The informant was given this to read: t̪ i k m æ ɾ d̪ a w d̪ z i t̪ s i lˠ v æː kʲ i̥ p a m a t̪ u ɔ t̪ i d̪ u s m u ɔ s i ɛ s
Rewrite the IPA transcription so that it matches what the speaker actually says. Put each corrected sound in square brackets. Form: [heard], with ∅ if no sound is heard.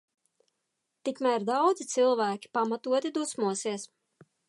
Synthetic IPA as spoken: t̪ i k m æ ɾ d̪ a w d̪ z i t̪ s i lˠ v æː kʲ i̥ p a m a t̪ u ɔ t̪ i d̪ u s m u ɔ s i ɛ s